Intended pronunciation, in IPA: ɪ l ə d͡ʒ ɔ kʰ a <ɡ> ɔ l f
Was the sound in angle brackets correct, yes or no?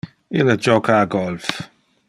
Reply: yes